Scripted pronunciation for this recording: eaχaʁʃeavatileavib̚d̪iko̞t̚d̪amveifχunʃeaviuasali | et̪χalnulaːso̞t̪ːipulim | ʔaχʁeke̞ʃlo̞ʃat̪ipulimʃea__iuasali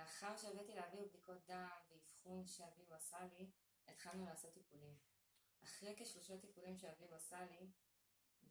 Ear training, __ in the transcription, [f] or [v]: v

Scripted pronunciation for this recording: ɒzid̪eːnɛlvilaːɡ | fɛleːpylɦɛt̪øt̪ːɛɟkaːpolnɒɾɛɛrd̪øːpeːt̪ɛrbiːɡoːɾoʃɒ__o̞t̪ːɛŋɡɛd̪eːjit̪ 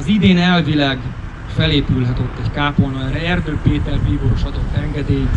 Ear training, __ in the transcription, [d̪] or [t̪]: d̪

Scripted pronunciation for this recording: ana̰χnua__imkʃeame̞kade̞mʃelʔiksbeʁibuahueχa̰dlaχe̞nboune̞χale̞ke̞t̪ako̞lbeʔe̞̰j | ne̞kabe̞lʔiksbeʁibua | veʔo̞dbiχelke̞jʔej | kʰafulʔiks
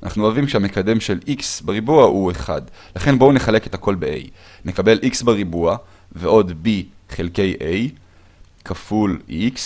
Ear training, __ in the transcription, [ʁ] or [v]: v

